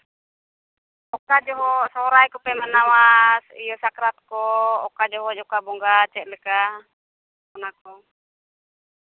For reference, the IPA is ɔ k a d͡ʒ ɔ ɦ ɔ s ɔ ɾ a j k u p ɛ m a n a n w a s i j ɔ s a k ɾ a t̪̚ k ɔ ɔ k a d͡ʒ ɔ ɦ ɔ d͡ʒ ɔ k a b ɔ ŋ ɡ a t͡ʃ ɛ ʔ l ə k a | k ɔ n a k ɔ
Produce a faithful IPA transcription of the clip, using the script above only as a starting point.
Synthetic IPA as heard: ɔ k a d͡ʒ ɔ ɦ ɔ s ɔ ɾ a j k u p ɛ m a n a w a s i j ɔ s a k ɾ a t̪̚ k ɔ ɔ k a d͡ʒ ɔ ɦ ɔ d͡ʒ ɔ k a b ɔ ŋ ɡ a t͡ʃ ɛ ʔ l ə k a | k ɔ n a k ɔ